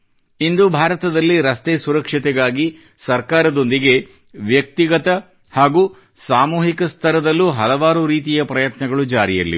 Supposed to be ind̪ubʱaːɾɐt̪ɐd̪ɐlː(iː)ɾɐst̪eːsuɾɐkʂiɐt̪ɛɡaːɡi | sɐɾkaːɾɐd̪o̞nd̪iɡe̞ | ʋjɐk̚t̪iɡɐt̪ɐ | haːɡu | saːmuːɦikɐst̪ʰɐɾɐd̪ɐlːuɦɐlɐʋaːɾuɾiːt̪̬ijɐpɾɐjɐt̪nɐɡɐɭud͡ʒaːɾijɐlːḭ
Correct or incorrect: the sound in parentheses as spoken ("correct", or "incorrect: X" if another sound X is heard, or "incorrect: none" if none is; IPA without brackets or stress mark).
incorrect: i